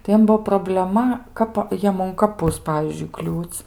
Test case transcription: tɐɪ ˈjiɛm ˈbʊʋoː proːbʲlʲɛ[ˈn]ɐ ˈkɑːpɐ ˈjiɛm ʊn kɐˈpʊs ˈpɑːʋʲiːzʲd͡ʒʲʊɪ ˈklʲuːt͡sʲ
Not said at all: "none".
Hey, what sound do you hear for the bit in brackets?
m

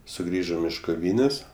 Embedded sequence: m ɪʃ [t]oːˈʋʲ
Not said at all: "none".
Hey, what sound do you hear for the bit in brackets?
k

